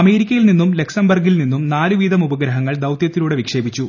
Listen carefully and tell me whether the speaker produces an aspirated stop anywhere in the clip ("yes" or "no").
no